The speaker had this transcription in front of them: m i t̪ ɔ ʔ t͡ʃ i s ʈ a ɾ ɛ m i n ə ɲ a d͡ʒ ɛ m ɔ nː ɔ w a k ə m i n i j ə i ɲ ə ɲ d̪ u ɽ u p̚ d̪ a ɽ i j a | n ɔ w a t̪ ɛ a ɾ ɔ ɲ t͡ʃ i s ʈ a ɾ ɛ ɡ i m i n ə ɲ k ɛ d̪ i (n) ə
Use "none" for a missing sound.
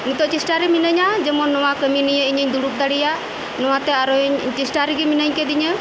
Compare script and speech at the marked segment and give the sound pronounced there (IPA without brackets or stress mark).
ɲ